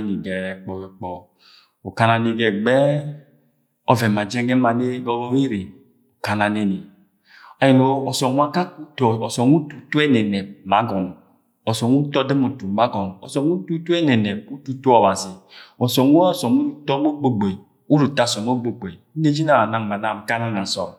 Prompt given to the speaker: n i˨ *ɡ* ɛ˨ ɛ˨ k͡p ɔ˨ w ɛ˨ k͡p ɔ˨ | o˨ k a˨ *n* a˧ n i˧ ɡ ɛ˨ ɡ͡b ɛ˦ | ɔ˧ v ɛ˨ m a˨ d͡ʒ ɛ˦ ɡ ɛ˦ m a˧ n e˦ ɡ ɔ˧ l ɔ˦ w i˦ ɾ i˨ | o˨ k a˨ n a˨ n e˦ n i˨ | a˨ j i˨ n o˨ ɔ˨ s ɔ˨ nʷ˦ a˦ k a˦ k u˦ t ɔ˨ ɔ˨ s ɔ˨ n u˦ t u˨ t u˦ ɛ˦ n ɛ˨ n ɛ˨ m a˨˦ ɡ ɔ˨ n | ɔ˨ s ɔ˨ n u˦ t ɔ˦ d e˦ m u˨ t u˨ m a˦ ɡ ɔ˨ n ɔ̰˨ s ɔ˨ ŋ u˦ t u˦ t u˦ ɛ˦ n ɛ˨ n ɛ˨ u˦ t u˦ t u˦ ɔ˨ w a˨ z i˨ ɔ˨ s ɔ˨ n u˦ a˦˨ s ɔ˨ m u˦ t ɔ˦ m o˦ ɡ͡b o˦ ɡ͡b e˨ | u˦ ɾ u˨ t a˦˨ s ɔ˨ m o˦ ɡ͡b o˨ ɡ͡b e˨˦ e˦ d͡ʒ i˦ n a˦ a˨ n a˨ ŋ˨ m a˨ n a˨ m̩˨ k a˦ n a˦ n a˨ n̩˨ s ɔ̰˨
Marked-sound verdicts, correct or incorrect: correct, correct

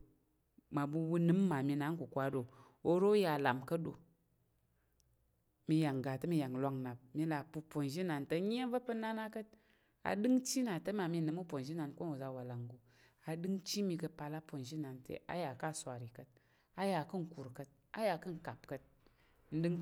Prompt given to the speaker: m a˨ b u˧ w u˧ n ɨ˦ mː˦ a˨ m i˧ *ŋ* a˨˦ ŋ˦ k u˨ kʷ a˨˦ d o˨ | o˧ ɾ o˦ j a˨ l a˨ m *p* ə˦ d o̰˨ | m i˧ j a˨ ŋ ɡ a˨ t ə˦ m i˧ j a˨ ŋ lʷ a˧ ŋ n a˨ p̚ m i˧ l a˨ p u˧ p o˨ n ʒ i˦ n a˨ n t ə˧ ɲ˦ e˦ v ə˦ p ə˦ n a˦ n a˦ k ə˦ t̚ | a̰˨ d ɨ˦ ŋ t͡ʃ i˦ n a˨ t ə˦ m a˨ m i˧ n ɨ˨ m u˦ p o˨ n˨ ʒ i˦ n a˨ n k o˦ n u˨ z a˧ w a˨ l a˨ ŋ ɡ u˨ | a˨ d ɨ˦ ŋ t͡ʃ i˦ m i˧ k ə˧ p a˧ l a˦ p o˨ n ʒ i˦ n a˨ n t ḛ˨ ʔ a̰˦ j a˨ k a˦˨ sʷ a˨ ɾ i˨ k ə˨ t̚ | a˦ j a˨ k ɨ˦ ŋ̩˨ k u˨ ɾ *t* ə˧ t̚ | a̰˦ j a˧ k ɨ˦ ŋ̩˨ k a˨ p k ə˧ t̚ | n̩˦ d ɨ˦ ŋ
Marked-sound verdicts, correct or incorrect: incorrect, incorrect, incorrect

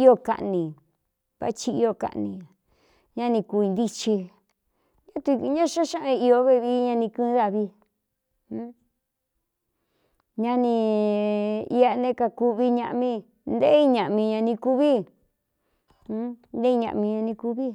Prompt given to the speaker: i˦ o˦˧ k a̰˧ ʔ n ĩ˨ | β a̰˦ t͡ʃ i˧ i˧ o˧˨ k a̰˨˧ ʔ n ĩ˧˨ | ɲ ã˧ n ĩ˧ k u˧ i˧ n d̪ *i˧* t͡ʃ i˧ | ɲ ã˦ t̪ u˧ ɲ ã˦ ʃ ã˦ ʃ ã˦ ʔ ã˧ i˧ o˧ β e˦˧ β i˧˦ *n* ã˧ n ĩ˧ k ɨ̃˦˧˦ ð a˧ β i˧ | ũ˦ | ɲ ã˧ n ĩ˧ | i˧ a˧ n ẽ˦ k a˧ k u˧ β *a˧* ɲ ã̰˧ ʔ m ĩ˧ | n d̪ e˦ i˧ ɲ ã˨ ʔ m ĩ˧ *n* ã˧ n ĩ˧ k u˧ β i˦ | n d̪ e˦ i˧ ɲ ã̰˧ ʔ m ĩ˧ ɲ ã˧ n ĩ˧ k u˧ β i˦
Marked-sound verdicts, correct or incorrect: correct, incorrect, incorrect, incorrect

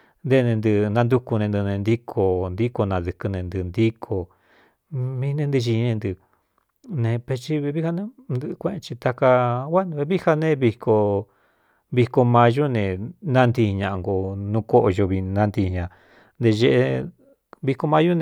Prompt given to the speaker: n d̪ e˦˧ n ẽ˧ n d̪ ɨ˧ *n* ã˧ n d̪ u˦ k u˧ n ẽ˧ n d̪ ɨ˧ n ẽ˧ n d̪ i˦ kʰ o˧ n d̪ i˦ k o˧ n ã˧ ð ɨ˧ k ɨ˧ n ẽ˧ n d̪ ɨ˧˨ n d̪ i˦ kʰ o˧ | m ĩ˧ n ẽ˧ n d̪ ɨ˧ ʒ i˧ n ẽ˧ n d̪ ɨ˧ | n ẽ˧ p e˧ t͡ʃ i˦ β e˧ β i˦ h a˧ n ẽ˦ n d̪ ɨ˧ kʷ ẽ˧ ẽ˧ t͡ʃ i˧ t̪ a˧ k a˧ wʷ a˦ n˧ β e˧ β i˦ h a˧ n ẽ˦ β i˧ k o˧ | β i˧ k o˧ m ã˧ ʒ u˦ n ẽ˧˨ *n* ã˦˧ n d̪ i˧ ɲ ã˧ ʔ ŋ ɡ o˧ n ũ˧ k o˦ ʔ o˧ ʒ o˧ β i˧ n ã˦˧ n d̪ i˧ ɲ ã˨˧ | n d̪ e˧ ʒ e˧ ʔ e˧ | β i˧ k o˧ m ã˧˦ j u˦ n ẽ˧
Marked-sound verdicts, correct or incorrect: correct, correct

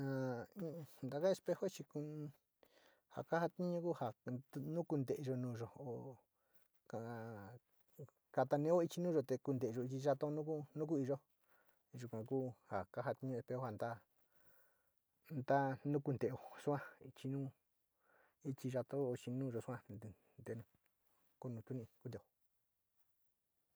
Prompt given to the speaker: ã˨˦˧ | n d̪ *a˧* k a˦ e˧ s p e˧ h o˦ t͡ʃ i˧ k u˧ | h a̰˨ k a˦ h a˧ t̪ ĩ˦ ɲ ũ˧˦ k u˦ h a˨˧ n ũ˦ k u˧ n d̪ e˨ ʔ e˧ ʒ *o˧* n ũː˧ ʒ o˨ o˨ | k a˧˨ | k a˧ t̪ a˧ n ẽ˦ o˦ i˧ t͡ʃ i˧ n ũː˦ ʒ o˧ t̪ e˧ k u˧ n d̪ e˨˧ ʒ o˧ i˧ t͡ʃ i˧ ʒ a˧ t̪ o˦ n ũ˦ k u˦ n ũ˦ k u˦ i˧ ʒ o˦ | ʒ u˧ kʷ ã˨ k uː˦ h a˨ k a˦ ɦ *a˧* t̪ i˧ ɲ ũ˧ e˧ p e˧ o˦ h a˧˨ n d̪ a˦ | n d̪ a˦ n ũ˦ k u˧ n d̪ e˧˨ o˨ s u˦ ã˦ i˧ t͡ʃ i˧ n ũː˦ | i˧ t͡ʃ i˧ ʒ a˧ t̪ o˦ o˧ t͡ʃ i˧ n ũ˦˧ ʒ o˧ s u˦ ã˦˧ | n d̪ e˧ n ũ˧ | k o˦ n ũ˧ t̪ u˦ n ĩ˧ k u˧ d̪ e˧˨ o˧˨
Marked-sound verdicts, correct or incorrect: correct, correct, correct

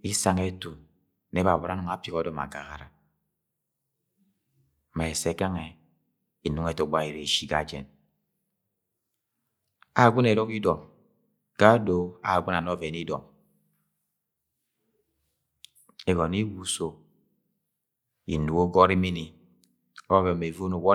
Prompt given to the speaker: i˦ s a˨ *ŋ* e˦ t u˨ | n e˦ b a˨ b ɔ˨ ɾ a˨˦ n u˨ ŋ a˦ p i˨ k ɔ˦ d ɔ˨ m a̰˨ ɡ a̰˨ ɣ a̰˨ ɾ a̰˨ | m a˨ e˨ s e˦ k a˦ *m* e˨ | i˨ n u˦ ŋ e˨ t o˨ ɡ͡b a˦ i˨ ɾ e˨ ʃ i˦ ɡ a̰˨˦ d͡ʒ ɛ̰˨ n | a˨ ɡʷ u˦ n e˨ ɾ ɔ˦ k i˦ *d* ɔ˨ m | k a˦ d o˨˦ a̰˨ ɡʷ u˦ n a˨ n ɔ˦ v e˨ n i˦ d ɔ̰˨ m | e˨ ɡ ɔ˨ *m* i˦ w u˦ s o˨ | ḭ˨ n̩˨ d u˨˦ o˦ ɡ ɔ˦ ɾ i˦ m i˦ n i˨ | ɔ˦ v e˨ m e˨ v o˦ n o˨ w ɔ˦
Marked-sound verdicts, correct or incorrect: correct, incorrect, correct, incorrect

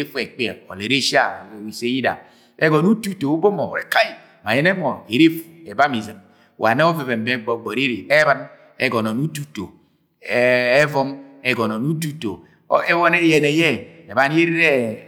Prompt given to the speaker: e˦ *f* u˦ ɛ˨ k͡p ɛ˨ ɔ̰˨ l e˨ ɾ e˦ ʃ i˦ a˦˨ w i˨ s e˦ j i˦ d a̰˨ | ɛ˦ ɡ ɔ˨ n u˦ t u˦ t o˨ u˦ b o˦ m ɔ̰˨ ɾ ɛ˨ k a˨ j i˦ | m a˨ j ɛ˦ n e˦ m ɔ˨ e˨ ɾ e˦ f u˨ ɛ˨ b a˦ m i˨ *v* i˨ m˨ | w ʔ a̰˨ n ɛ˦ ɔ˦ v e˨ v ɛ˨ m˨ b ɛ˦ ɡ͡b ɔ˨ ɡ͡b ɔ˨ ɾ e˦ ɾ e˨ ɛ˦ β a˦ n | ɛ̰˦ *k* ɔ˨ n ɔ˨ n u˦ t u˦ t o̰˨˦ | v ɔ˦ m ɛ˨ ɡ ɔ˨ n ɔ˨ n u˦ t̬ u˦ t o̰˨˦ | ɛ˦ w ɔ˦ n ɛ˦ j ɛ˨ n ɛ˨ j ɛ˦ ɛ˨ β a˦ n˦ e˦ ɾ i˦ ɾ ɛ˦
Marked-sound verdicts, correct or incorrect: correct, incorrect, incorrect

